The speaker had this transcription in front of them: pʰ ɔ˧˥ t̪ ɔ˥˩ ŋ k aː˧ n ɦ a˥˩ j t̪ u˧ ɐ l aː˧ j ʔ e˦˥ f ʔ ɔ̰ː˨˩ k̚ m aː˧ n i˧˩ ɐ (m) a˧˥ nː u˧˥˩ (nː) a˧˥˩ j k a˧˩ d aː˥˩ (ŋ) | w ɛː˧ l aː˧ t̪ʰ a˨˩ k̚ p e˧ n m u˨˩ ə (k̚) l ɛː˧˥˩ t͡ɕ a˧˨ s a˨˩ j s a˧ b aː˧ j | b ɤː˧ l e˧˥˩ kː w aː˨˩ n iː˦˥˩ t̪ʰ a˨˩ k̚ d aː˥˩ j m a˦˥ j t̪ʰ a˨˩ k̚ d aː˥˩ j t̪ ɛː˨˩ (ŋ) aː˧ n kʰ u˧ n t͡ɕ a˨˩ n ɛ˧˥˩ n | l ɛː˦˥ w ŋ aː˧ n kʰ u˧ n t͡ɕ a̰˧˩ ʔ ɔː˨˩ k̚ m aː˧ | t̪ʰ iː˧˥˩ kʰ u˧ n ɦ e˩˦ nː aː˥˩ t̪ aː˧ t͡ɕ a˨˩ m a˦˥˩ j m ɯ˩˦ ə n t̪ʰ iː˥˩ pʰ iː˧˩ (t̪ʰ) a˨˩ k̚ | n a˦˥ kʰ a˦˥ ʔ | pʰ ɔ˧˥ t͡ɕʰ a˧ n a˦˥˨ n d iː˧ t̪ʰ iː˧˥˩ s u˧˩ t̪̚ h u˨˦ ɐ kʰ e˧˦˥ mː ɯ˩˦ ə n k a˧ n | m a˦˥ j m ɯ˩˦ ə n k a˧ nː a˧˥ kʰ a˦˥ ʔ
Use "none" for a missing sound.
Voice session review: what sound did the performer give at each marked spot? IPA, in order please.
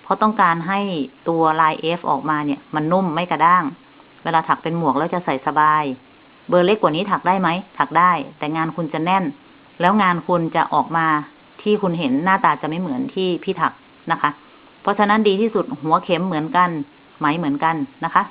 m, mː, ŋ, k̚, ŋ, t̪ʰ

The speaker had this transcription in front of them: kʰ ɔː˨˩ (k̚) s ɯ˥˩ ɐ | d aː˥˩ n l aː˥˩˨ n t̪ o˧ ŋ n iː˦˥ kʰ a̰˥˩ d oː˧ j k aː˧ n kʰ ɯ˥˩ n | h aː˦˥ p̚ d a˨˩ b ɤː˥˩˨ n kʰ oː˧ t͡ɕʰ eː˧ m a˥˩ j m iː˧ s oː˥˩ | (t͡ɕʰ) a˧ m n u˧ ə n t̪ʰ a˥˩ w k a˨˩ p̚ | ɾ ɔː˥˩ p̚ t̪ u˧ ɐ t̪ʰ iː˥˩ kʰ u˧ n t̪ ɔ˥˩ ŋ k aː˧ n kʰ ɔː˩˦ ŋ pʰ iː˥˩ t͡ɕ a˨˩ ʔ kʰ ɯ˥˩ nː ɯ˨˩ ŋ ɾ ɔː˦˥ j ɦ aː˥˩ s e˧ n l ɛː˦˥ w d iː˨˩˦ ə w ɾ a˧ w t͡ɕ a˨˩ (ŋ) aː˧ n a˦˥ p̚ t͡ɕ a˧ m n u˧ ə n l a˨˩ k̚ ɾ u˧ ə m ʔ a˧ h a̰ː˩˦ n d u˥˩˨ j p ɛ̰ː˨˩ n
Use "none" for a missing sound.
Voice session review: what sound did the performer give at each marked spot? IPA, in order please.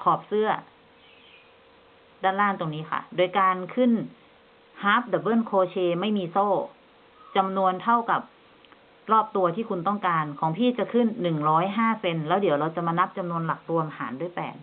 p̚, t͡ɕ, m

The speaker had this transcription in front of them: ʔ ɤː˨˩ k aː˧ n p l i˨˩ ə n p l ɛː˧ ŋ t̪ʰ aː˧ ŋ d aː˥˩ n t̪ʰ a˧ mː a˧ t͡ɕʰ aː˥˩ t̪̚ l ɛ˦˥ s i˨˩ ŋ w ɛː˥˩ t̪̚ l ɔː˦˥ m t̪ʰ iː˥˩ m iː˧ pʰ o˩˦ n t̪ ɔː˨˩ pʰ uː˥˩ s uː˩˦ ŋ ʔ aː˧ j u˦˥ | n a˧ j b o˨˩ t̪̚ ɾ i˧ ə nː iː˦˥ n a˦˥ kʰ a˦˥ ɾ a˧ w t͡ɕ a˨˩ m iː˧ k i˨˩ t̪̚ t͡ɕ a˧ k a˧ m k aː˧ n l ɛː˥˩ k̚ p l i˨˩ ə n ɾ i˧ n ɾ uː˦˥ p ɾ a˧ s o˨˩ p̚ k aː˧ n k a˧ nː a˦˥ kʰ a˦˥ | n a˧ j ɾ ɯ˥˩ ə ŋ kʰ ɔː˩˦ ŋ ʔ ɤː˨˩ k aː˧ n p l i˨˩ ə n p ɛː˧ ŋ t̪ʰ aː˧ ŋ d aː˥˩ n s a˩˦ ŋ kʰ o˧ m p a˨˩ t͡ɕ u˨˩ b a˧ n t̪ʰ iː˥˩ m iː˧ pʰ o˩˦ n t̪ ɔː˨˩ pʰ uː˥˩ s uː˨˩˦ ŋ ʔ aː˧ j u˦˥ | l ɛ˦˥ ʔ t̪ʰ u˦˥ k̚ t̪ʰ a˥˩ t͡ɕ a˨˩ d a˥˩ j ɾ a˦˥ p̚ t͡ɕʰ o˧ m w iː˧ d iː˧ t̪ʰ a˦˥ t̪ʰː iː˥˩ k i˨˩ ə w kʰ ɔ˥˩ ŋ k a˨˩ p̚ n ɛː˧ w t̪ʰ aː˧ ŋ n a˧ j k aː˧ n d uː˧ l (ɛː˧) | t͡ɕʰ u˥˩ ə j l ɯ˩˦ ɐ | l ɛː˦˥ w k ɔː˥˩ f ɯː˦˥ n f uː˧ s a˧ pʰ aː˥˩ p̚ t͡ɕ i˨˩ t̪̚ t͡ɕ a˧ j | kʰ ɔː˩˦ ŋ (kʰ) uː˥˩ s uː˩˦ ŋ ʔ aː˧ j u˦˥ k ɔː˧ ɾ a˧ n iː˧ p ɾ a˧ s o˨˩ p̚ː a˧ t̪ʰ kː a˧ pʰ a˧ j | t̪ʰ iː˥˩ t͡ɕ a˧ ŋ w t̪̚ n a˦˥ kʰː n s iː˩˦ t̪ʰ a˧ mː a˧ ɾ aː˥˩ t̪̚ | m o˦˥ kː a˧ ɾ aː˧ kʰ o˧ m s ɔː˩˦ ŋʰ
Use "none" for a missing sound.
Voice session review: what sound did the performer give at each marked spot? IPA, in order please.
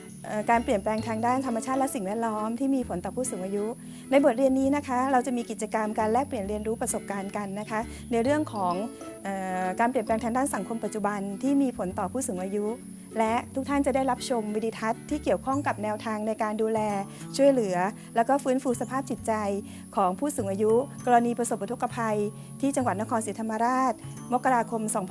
ɛː˧, pʰ

